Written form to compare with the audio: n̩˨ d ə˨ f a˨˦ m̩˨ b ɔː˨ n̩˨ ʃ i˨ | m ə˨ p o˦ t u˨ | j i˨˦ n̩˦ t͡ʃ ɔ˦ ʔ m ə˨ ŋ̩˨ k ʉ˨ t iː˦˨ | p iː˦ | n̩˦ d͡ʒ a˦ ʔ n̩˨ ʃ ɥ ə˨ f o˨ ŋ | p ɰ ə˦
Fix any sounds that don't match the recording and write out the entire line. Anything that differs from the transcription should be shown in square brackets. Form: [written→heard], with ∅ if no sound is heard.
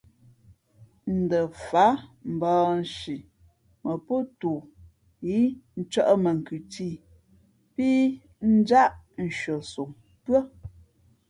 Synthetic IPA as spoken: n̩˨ d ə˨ f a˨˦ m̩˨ b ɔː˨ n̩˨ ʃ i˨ | m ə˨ p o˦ t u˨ | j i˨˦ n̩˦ t͡ʃ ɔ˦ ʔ m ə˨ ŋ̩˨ k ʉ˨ t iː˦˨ | p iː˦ | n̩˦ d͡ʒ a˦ ʔ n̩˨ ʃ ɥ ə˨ [f→s] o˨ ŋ | p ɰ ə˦